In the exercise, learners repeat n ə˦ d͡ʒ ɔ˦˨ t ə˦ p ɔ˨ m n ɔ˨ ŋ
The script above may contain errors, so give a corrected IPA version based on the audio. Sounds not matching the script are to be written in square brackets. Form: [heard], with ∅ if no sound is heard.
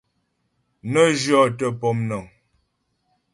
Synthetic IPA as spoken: n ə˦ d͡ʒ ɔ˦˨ t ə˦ p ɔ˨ m n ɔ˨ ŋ